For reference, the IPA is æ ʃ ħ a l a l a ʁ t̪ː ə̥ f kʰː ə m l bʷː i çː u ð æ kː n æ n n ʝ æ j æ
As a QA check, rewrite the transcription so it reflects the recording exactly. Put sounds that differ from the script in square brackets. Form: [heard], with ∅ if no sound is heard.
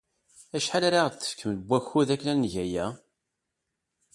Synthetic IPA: æ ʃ ħ a l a [ɾ] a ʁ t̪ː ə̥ f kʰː ə m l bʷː [æ] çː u ð æ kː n æ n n ʝ æ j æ

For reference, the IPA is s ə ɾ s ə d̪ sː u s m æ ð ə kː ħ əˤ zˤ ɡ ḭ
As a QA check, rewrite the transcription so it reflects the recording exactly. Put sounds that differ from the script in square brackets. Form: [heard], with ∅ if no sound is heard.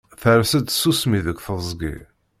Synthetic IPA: [θ] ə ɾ s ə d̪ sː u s m [i] ð ə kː [θ] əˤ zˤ ɡ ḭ

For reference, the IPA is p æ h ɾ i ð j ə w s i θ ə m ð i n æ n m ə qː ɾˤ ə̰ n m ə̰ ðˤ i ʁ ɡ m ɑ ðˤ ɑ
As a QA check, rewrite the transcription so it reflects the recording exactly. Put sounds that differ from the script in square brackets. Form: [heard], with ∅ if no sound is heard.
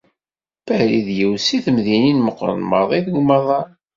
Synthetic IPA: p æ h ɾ i ð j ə w s i θ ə m ð i n [i] n m ə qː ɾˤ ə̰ n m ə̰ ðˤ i [ð] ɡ m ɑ ðˤ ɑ

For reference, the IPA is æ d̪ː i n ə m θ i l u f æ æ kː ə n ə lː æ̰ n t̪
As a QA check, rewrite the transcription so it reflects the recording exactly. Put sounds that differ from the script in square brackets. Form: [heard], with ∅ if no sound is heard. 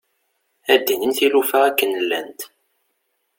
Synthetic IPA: æ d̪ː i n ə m θ i l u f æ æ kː ə n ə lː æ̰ n t̪

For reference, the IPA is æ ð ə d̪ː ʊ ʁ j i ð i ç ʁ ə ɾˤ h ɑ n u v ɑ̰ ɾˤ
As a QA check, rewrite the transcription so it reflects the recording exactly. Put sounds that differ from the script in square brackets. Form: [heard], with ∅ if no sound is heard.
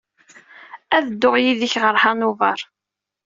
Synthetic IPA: æ ð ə d̪ː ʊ ʁ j i ð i ç ʁ ə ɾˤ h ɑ n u v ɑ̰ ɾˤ

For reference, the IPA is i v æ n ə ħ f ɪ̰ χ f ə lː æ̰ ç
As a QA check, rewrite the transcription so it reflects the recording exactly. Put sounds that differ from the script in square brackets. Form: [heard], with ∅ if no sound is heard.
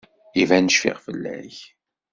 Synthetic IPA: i v æ n ə [ʃ] f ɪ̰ [ʁ] f ə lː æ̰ ç

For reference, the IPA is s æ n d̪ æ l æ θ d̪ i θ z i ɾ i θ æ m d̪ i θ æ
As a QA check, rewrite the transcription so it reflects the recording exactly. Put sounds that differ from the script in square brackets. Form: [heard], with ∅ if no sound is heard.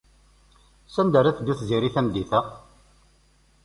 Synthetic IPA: s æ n d̪ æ [ɾ] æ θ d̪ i θ z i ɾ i θ æ m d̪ i θ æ

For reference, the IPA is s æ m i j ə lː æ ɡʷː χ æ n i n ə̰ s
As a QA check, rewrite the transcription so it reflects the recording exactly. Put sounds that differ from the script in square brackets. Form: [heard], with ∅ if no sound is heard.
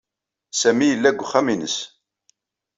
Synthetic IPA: s æ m i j ə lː æ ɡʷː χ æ [m] i n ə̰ s

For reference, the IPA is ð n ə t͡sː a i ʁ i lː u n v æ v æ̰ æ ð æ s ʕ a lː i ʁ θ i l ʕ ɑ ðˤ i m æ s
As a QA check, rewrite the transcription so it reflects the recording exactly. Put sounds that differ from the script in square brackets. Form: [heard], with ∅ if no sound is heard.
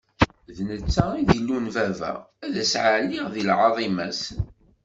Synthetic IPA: ð n ə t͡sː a i [ð] i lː u n v æ v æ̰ æ ð æ s ʕ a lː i ʁ [ð] i l ʕ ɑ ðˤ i m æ s

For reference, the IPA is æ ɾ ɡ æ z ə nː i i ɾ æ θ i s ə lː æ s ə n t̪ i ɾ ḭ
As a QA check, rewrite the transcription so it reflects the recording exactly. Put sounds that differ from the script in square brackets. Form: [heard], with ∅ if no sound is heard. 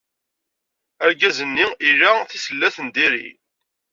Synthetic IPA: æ ɾ ɡ æ z ə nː i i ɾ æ θ i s ə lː æ [θ] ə n [d̪] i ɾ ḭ

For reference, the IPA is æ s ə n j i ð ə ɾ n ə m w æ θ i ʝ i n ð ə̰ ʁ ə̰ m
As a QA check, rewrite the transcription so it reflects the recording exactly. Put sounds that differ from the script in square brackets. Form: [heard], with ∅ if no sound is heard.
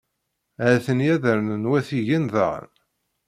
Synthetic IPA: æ [θ] ə n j [æ] ð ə ɾ n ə [n] w æ θ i ʝ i n ð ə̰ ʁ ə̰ [n]

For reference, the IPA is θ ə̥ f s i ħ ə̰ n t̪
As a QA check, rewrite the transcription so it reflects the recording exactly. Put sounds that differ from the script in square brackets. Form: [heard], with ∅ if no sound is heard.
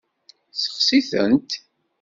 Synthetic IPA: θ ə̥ [χ] s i [θ] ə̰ n t̪

